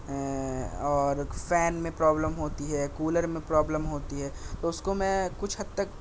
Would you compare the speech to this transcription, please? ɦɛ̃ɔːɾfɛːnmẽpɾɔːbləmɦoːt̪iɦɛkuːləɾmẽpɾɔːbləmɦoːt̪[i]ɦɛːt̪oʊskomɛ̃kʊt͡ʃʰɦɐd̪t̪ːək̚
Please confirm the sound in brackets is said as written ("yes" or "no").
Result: yes